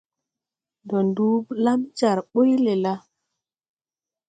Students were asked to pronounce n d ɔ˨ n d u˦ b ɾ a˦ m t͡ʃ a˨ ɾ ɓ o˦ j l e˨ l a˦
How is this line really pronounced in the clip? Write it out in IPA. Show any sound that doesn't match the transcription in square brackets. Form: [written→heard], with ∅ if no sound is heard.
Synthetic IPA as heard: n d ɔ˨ n d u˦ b [ɾ→l] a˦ m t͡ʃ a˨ ɾ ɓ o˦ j l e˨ l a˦

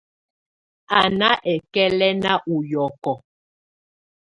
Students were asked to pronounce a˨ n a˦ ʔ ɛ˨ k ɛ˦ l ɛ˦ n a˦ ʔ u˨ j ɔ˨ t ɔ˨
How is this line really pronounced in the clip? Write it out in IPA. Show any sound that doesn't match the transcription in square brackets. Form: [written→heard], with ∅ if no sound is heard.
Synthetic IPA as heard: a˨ n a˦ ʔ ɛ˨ k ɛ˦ l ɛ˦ n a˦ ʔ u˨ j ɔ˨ [t→k] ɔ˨

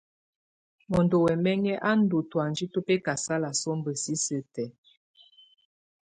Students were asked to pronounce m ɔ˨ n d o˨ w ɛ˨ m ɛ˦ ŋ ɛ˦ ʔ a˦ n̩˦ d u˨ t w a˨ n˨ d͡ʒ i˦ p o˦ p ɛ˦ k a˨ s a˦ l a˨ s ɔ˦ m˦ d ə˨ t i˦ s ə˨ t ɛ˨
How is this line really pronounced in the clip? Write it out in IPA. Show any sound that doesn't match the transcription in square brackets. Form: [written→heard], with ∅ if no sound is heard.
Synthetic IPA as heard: m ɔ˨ n d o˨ w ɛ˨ m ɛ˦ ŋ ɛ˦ ʔ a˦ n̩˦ d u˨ t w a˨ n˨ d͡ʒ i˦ [p→t] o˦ p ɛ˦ k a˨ s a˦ l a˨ s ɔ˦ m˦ [d→b] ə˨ [t→s] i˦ s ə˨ t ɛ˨

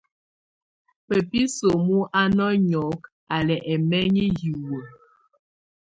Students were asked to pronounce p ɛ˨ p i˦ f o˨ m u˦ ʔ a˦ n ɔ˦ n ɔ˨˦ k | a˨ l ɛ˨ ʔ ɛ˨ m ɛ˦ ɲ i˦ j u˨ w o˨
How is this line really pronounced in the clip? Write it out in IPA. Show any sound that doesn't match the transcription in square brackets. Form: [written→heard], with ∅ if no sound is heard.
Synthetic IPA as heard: p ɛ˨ p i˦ [f→s] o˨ m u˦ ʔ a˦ n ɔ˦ [n→ɲ] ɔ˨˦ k | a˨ l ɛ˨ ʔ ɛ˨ m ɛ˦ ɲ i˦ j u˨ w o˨

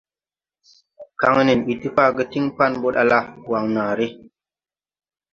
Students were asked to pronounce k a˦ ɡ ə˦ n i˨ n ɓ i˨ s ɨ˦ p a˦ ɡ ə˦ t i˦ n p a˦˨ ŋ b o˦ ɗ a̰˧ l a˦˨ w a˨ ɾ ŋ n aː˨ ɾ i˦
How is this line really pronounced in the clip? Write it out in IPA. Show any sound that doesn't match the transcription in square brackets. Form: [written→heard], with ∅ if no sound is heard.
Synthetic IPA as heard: k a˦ [ɡ→ŋ] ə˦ n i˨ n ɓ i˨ [s→t] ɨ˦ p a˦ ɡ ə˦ t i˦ [n→ŋ] p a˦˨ [ŋ→n] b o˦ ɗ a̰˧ l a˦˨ w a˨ [ɾ→∅] ŋ n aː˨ ɾ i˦

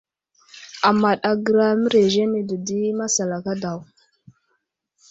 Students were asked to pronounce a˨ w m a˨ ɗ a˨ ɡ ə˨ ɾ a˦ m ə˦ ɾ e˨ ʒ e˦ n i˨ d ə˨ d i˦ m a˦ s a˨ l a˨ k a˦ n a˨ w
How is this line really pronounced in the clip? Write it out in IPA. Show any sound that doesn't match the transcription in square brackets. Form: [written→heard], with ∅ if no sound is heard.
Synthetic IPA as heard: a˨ [w→∅] m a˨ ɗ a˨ ɡ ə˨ ɾ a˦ m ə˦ ɾ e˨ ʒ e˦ n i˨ d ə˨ d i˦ m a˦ s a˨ l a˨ k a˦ [n→d] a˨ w

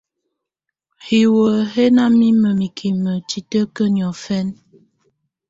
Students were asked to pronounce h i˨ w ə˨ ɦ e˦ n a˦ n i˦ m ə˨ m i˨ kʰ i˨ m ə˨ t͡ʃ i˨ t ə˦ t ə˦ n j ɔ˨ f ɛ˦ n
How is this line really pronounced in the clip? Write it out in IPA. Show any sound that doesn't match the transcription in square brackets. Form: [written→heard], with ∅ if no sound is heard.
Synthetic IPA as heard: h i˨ w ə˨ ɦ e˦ n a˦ [n→m] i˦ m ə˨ m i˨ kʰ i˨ m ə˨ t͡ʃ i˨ t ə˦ [t→k] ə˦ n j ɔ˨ f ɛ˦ n

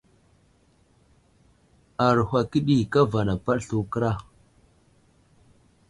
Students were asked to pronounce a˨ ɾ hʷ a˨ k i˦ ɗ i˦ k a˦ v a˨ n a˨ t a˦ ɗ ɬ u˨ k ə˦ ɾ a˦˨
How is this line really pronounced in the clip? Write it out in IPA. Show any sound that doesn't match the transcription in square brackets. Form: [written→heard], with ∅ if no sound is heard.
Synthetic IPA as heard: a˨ ɾ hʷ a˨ k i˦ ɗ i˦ k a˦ v a˨ n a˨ [t→p] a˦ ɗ ɬ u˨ k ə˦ ɾ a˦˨

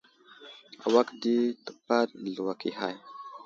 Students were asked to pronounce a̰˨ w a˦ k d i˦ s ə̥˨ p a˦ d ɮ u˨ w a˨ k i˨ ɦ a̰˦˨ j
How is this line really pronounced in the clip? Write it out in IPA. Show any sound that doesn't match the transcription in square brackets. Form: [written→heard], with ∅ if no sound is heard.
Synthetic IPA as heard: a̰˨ w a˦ k d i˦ [s→t] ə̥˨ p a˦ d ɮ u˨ w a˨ k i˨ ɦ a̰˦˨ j

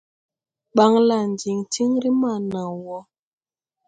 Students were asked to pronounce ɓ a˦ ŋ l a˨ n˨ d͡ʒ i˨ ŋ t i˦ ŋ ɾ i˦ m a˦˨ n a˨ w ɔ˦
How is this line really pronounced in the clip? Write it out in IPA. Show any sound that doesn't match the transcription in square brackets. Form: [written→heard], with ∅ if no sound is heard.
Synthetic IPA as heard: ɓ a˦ ŋ l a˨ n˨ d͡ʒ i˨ ŋ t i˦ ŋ ɾ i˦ m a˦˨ n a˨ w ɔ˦

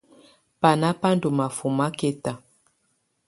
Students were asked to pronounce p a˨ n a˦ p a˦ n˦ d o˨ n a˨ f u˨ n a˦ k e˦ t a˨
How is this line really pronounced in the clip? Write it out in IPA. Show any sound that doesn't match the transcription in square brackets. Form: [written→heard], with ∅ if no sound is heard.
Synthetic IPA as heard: p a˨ n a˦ p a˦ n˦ d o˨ [n→m] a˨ f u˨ [n→m] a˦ k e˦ t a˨

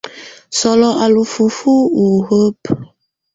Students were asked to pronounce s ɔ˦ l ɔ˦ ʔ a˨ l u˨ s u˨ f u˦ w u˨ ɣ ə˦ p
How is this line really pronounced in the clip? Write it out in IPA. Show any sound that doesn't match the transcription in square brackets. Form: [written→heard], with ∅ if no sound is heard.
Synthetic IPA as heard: s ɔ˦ l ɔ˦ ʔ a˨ l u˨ [s→f] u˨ f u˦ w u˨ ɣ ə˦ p

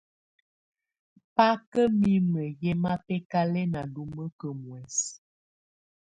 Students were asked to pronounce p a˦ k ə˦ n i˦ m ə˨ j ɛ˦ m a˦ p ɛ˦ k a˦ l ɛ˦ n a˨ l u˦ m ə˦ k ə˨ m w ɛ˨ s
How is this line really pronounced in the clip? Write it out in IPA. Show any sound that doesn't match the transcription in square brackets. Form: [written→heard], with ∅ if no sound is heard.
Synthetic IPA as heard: p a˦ k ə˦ [n→m] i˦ m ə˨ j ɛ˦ m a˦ p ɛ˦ k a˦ l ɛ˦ n a˨ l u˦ m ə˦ k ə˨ m w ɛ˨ s

